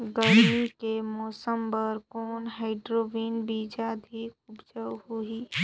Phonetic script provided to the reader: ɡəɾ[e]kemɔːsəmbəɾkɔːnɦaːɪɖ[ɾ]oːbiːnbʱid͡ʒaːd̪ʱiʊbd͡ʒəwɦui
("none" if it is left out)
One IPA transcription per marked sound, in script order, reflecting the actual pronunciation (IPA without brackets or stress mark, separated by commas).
i, ɾ